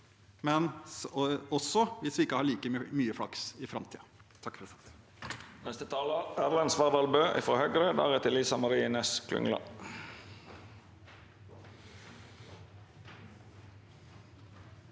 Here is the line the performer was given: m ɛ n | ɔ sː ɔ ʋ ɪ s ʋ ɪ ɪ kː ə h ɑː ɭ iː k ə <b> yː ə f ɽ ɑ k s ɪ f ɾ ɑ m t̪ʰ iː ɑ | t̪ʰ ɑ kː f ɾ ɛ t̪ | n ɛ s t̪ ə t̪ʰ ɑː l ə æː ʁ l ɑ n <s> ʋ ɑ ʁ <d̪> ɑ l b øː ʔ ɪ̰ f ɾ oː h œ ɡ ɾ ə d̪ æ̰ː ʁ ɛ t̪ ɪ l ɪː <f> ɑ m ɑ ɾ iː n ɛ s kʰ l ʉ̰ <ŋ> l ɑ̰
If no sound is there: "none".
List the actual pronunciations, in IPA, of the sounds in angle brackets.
m, s, d̪, s, ŋ

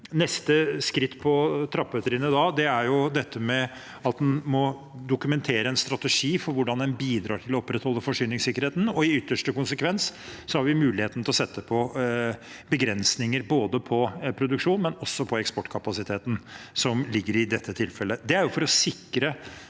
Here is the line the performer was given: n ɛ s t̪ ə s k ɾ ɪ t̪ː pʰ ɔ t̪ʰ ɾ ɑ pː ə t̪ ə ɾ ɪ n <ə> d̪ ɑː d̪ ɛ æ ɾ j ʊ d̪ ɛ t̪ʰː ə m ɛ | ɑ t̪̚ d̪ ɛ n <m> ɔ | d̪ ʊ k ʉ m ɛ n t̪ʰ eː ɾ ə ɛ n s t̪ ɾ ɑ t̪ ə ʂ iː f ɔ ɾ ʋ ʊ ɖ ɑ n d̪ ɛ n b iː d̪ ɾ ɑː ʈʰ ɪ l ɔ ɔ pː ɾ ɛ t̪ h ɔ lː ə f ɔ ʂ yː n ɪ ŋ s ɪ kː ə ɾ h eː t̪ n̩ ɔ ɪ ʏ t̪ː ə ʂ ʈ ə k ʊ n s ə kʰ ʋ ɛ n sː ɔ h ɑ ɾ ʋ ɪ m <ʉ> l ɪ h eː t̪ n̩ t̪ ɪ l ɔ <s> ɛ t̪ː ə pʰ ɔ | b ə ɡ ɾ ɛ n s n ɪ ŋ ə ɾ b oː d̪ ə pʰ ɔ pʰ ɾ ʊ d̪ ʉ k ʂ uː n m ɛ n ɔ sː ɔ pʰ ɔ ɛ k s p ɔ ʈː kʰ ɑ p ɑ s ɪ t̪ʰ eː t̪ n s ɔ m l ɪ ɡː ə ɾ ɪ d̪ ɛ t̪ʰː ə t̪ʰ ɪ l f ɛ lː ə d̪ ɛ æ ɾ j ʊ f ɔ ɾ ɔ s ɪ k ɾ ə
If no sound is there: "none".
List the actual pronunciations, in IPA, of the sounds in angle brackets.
ə, m, ʉː, s

